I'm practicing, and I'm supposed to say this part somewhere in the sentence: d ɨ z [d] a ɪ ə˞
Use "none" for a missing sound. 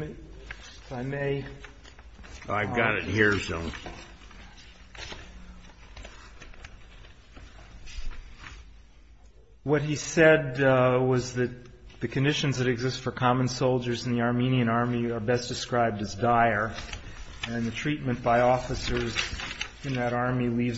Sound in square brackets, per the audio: d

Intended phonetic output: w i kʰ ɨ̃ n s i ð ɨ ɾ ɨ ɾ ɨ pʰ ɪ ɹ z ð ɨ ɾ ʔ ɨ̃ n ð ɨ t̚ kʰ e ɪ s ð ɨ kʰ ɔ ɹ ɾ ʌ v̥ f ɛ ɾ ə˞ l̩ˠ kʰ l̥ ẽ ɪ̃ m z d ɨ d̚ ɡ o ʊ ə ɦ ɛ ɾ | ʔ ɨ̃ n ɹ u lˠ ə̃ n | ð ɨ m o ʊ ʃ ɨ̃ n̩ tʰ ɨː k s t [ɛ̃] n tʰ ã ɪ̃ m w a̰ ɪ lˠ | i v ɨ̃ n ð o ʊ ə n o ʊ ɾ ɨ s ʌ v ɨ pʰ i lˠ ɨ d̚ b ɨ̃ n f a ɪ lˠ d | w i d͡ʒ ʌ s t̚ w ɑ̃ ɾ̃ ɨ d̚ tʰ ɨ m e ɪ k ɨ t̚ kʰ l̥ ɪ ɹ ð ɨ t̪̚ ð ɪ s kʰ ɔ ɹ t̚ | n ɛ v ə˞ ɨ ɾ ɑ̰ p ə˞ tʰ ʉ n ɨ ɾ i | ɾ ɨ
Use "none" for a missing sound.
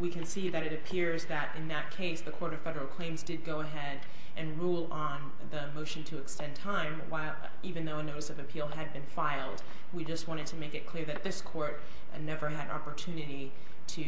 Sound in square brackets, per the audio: ɛ̃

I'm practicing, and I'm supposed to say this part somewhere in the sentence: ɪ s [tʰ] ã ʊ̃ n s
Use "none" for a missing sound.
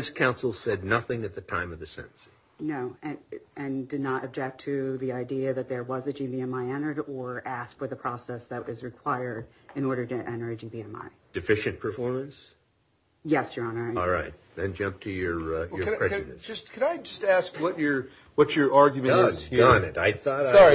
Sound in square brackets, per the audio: kʰ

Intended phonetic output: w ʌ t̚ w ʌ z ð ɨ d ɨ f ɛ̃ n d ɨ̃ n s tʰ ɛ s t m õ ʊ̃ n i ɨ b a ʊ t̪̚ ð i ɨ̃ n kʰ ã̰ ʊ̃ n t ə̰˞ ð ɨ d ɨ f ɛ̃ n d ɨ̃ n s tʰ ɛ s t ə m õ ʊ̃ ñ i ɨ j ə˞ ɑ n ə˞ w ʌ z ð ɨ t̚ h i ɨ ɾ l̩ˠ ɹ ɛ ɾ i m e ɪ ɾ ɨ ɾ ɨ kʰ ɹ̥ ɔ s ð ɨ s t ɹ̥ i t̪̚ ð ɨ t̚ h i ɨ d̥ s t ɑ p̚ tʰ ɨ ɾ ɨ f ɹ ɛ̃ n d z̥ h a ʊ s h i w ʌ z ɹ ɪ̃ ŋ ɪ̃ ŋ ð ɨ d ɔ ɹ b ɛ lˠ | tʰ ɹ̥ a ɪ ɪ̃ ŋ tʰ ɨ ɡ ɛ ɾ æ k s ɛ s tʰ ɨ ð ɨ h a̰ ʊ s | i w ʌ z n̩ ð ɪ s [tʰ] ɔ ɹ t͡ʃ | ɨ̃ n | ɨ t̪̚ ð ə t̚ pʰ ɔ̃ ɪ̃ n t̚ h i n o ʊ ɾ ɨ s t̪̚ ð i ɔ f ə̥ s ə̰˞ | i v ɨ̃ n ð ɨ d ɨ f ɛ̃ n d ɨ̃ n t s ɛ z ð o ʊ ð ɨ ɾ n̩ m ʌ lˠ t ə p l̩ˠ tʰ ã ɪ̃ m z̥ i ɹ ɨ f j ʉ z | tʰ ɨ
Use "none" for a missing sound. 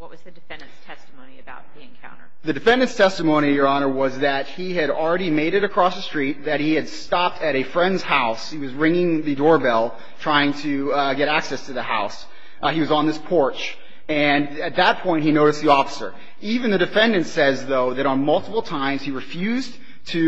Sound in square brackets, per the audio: pʰ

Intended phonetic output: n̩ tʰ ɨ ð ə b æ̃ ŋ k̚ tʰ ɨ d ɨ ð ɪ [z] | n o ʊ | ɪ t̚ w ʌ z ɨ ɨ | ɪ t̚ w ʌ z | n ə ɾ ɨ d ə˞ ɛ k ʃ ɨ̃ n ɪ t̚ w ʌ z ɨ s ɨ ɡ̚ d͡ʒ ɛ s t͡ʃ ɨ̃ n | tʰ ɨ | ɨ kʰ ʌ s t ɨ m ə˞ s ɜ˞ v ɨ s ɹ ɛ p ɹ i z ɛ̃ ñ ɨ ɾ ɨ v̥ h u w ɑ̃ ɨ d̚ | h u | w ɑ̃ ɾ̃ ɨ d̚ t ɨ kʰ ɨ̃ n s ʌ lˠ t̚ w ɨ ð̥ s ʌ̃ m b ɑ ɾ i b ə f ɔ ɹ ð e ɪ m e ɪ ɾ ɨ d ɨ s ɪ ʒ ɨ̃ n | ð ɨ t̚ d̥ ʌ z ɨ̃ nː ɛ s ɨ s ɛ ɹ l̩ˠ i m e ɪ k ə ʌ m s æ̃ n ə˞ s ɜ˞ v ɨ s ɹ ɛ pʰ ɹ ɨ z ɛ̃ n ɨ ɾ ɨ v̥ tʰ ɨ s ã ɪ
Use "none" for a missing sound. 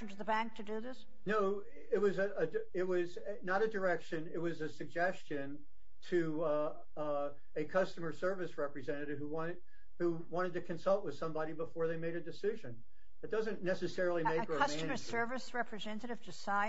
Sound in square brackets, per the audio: s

